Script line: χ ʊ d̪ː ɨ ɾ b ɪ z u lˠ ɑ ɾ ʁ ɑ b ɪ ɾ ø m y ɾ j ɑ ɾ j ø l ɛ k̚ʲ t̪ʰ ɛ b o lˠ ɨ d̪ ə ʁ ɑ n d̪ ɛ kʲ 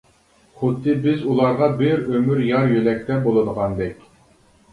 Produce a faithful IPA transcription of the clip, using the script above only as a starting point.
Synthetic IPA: χ ʊ d̪ː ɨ b ɪ z u lˠ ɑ ɾ ʁ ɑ b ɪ ɾ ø m y ɾ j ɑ ɾ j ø l ɛ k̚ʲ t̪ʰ ɛ b o lˠ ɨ d̪ ə ʁ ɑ n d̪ ɛ kʲ